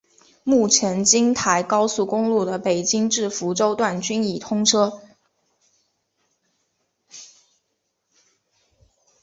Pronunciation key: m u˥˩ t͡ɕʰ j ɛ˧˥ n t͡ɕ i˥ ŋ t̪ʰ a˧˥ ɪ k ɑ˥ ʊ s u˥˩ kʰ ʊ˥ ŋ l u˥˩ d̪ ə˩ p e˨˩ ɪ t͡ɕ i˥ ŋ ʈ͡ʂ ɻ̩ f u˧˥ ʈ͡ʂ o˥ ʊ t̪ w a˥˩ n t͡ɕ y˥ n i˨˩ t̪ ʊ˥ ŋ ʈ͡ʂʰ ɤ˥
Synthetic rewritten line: m u˥˩ t͡ɕʰ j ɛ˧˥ n t͡ɕ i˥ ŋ t̪ʰ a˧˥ ɪ k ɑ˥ ʊ s u˥˩ k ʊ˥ ŋ l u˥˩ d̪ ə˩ p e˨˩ ɪ t͡ɕ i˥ ŋ ʈ͡ʂ ɻ̩ f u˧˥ ʈ͡ʂ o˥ ʊ t̪ w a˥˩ n t͡ɕ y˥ n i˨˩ t̪ʰ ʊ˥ ŋ ʈ͡ʂʰ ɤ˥